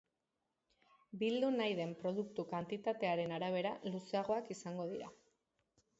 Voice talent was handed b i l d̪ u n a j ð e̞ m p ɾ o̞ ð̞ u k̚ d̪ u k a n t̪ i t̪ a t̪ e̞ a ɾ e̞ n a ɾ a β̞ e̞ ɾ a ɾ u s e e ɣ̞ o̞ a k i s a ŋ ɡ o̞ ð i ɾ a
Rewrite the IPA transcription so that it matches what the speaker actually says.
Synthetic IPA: b i l d̪ u n a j ð e̞ m p ɾ o̞ ð̞ u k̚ t̪ u k a n t̪ i t̪ a t̪ e̞ a ɾ e̞ n a ɾ a β̞ e̞ ɾ a l u s e a ɣ̞ o̞ a k i s a ŋ ɡ o̞ ð i ɾ a